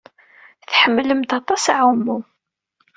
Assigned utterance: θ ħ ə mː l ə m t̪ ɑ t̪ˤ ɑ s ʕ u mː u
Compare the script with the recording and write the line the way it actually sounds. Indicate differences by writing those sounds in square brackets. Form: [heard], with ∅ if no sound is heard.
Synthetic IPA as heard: θ ħ ə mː l ə m t̪ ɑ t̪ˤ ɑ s ʕ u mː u